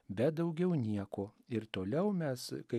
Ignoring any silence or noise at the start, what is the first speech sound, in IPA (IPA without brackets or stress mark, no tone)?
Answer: bʲ